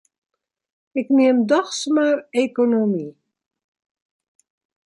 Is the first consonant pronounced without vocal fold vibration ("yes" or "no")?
yes